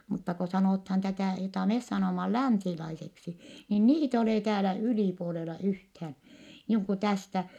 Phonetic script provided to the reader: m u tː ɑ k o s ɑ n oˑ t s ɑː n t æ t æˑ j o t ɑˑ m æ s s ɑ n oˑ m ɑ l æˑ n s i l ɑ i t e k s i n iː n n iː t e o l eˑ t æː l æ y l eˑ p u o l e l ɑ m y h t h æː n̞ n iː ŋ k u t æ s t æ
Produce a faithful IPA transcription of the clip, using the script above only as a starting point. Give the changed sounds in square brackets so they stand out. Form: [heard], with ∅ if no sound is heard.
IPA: m u tː ɑ k o s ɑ n oˑ t [h] ɑː n t æ t æˑ j o t ɑˑ m [e] s s ɑ n oˑ m ɑ l æˑ n s i l ɑ i [s] e k s i n iː n n iː t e o l eˑ t æː l æ y l [iˑ] p u o l e l ɑ [∅] y h t h æː n̞ n iː ŋ k u t æ s t æ